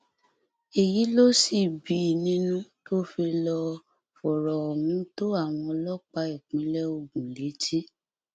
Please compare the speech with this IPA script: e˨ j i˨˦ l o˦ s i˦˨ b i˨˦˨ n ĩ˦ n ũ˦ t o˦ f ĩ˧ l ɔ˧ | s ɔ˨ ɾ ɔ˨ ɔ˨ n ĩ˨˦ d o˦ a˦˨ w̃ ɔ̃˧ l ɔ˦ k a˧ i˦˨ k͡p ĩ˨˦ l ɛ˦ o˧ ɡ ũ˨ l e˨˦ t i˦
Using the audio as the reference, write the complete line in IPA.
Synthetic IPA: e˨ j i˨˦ l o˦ s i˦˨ b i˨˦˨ n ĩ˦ n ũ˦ t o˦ f i˧ l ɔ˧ | f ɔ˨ ɾ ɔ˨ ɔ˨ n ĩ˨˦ t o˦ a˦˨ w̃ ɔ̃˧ l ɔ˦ k͡p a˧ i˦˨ k͡p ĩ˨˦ l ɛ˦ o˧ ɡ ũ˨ l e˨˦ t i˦